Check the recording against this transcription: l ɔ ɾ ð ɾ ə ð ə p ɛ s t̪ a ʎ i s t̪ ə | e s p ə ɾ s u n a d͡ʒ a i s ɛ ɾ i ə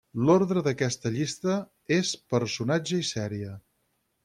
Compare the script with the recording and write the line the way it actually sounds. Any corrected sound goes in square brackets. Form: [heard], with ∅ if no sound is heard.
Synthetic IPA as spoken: l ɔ ɾ ð ɾ ə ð ə [k] ɛ s t̪ [ə] ʎ i s t̪ ə | e s p ə ɾ s u n a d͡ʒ [ə] i s ɛ ɾ i ə

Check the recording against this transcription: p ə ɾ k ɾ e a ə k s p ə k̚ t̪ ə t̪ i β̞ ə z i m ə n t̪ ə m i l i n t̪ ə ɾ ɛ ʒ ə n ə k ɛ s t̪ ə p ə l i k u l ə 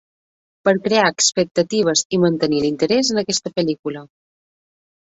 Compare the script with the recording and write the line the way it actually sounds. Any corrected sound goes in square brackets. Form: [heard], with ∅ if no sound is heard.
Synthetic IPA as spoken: p ə ɾ k ɾ e a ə k s p ə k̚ t̪ ə t̪ i β̞ ə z i m ə n t̪ ə [n] i l i n t̪ ə ɾ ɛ [z] ə n ə k ɛ s t̪ ə p ə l i k u l ə

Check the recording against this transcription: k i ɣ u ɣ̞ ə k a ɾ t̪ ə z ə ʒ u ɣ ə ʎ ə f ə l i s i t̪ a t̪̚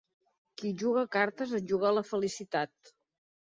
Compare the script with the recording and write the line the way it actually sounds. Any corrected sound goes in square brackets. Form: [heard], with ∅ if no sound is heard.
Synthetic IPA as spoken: k i [ʒ] u ɣ̞ ə k a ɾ t̪ ə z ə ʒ u ɣ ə [l] ə f ə l i s i t̪ a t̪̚

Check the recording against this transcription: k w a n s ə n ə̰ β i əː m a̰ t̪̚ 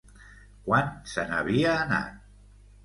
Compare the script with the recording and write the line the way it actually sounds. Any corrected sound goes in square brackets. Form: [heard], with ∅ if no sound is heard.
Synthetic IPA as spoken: k w a n s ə n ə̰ β i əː [n] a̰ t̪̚

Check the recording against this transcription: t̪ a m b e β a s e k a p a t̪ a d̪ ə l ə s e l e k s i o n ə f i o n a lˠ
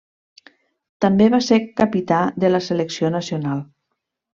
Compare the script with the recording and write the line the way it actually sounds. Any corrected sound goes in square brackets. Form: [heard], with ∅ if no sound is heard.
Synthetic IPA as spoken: t̪ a m b e β a s e k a p [i] t̪ a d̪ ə l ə s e l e k s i o n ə [s] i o n a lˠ

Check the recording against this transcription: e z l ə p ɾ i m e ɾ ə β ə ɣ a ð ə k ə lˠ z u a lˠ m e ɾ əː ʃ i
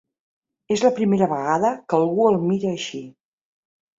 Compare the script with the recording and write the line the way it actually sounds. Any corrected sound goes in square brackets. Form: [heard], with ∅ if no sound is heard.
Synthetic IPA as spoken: e z l ə p ɾ i m e ɾ ə β ə ɣ a ð ə k ə lˠ [ɣ] u [ə] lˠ m [i] ɾ əː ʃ i

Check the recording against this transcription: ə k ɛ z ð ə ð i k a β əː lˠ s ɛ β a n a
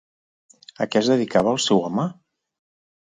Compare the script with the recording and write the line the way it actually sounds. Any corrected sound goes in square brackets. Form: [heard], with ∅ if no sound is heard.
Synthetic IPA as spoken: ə k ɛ z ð ə ð i k a β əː lˠ s ɛ [w] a [m] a

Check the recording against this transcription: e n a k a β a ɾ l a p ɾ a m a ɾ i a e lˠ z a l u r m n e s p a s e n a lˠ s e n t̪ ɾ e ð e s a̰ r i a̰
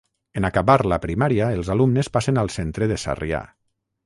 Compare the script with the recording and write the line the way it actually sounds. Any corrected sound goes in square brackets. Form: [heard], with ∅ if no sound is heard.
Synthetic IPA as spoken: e n a k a β a ɾ l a p ɾ [i] m a ɾ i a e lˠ z a l u [∅] m n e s p a s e n a lˠ s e n t̪ ɾ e ð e s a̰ r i a̰

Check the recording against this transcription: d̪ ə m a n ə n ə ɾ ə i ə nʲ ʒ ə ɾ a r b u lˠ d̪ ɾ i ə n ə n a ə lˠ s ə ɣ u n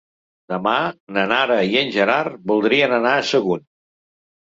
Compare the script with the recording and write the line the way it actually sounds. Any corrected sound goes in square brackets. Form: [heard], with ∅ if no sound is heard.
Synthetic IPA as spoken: d̪ ə m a n ə n [a] ɾ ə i ə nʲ ʒ ə ɾ a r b u lˠ d̪ ɾ i ə n ə n a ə [∅] s ə ɣ u n

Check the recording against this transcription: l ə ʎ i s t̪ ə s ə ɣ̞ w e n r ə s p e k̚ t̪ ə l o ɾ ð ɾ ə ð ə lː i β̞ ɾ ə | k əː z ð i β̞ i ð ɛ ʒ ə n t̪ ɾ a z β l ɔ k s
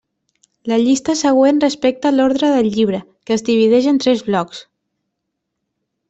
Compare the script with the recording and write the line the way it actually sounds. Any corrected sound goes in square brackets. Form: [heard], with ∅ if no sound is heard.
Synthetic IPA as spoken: l ə ʎ i s t̪ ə s ə ɣ̞ w e n r ə s p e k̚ t̪ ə l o ɾ ð ɾ ə ð ə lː i β̞ ɾ ə | k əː z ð i β̞ i ð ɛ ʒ ə n t̪ ɾ [ɛ] z β l ɔ k s

